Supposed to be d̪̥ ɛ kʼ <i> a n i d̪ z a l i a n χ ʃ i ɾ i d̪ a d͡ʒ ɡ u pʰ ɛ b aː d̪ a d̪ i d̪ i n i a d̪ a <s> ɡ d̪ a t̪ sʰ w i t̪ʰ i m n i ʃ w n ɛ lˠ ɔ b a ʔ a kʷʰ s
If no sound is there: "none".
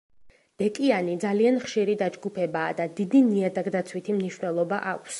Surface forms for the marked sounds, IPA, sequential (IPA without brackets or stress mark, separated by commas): i, none